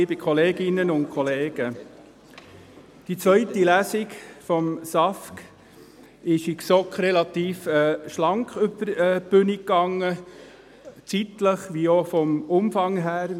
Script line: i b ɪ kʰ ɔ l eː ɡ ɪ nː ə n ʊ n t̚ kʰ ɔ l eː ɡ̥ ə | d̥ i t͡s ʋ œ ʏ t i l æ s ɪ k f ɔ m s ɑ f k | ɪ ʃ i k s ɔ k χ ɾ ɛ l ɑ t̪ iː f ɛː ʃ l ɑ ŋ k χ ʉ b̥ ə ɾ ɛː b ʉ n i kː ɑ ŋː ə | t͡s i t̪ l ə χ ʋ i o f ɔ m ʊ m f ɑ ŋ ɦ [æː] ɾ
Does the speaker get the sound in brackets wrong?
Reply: no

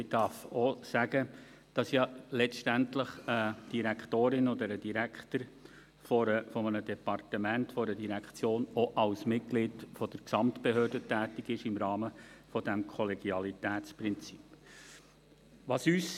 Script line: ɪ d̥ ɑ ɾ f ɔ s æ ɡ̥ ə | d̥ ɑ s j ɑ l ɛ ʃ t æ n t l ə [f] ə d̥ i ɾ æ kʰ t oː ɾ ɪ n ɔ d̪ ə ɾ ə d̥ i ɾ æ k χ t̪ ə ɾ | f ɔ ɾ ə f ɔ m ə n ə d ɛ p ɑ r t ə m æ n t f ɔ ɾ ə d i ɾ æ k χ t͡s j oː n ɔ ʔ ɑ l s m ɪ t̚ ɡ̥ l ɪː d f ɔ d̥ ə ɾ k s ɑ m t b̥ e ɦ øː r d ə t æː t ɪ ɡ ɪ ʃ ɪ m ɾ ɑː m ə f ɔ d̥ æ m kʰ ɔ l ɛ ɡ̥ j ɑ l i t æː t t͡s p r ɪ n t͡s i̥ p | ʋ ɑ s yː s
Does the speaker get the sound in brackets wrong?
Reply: yes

